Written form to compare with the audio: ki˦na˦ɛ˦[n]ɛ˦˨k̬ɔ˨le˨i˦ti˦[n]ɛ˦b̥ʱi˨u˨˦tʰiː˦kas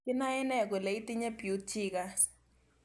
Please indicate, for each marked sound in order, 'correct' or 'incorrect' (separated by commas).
correct, incorrect